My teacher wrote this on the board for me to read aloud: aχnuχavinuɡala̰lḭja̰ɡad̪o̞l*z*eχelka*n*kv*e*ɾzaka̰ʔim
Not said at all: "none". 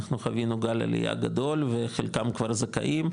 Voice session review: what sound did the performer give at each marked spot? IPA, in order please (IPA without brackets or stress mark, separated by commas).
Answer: v, m, a